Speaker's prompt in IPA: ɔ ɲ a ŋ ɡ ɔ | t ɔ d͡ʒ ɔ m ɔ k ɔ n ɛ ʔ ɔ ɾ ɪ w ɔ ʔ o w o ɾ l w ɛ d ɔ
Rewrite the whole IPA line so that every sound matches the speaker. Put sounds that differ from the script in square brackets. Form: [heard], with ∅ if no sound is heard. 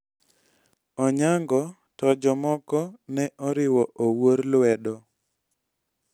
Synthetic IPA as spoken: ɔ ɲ a ŋ ɡ ɔ | t ɔ d͡ʒ ɔ m ɔ k ɔ n ɛ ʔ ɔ ɾ ɪ w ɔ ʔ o w o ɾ l w ɛ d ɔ